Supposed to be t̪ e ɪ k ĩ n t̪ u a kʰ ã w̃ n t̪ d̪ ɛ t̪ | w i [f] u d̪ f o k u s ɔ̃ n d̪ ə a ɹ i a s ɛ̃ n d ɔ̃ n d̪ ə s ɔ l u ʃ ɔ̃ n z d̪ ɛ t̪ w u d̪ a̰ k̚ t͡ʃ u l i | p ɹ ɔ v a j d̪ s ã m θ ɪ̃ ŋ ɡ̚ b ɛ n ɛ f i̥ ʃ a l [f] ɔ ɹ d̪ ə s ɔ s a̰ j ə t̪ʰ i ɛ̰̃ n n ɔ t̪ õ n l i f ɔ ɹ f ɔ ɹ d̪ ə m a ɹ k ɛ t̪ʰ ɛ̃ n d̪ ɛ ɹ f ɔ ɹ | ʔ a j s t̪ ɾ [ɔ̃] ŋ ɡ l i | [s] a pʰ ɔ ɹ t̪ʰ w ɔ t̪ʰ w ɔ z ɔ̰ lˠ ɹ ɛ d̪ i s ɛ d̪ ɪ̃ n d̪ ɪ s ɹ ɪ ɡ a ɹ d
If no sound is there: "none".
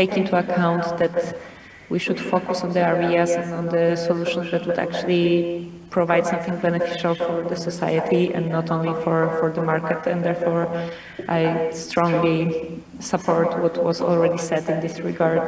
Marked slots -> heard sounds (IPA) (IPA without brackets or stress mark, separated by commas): ʃ, f, ɔ̃, s